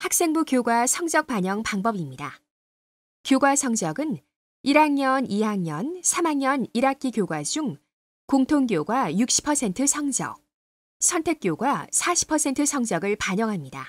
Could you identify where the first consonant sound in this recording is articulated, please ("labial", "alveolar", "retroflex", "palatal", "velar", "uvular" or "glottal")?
glottal